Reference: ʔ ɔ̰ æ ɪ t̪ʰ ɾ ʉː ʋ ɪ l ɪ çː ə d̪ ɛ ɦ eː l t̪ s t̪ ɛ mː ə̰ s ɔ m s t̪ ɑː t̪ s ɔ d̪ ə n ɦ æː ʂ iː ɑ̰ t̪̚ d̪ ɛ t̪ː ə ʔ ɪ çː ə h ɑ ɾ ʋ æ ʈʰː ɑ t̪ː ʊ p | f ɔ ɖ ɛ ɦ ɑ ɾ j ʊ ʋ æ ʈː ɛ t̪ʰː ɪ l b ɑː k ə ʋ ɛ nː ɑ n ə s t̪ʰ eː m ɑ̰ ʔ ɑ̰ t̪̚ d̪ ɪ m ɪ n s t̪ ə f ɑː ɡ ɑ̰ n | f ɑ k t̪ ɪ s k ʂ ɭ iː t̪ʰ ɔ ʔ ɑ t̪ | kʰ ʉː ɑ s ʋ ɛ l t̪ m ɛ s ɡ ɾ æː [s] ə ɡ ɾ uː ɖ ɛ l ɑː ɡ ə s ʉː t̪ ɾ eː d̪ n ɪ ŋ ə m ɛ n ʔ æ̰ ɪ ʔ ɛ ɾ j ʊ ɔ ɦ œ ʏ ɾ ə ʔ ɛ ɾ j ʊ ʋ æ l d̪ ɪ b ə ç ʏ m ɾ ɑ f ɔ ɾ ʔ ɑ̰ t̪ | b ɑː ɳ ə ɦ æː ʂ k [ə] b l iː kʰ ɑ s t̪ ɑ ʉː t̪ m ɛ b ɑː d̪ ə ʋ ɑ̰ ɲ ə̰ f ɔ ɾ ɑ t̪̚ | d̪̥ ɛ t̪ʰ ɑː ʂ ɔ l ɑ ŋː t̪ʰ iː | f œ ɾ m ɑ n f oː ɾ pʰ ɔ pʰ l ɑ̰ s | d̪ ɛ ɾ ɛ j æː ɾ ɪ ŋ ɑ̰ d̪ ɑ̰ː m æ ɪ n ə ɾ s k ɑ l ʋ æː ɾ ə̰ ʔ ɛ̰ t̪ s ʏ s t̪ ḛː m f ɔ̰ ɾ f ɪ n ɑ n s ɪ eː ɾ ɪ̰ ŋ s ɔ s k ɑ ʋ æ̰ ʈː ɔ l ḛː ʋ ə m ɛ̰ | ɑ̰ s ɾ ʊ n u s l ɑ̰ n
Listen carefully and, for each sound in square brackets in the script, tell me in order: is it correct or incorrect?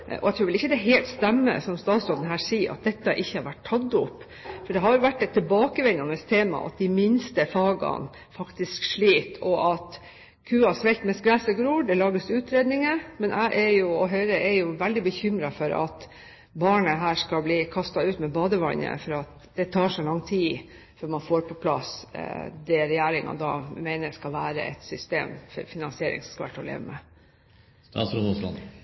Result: correct, incorrect

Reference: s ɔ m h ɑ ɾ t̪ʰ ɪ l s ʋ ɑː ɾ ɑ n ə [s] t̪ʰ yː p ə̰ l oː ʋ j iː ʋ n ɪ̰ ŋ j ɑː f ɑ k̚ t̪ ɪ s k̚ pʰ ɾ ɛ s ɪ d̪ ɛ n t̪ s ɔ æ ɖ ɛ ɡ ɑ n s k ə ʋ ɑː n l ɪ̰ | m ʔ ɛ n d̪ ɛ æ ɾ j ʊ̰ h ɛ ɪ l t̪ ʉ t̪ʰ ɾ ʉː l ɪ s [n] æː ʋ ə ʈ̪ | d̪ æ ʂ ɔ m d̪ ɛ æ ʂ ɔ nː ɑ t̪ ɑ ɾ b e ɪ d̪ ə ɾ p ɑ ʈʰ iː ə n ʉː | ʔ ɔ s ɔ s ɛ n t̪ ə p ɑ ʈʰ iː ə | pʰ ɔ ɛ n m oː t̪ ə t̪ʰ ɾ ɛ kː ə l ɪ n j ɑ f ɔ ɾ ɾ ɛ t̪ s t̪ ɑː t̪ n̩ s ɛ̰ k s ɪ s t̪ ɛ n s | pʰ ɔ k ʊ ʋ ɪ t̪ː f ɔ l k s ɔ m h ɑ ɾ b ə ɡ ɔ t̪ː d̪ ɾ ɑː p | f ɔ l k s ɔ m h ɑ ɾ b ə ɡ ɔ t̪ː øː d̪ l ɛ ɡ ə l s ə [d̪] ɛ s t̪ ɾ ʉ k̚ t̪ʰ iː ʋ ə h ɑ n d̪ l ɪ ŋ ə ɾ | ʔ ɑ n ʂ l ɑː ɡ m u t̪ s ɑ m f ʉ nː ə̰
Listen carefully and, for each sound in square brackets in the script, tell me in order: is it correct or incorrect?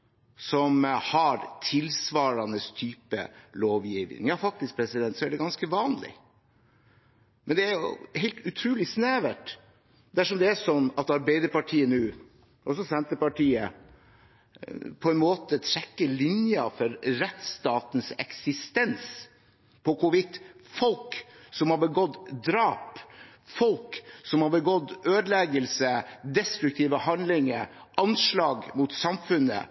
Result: correct, correct, correct

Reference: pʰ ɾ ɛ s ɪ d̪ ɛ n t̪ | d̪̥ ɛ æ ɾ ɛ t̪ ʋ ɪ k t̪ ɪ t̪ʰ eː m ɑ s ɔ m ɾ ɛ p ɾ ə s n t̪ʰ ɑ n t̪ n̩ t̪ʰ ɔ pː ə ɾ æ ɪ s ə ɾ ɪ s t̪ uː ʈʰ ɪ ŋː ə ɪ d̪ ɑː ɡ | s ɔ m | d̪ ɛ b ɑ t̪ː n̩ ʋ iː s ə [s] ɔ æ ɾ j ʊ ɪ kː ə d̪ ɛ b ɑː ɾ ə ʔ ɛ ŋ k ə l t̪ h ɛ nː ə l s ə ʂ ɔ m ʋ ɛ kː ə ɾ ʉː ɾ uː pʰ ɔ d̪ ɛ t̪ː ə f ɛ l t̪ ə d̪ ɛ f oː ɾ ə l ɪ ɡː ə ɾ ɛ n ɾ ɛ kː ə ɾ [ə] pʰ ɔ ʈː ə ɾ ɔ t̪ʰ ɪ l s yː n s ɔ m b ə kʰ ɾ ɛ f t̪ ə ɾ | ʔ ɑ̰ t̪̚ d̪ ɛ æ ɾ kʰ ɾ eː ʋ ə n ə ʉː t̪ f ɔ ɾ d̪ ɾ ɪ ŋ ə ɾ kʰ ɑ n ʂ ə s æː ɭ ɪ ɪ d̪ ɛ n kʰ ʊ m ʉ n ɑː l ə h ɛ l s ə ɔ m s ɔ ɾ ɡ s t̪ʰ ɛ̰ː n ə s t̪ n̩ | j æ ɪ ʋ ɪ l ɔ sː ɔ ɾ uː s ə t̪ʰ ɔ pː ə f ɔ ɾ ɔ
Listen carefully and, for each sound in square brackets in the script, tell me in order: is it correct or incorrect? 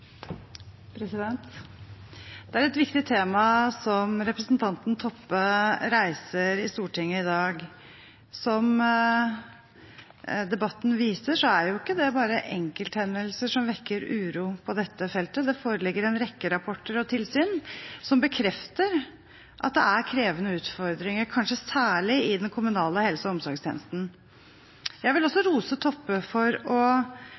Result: incorrect, incorrect

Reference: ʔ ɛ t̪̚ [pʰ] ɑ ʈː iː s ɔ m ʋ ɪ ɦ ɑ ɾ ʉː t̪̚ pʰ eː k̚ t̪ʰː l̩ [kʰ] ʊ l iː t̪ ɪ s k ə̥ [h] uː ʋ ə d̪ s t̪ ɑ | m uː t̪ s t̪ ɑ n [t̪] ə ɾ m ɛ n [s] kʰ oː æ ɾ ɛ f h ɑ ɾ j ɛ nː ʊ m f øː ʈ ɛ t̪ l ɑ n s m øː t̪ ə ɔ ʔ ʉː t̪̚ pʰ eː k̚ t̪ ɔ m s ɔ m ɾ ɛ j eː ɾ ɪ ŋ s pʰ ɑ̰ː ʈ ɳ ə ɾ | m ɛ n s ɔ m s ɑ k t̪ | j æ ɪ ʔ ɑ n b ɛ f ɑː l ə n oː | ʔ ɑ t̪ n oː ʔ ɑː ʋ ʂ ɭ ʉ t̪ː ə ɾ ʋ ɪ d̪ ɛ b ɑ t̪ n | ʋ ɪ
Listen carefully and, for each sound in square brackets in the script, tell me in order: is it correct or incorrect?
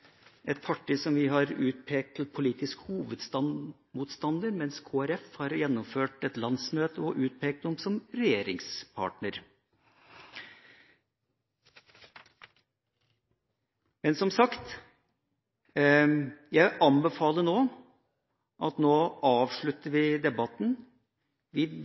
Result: correct, incorrect, correct, incorrect, correct

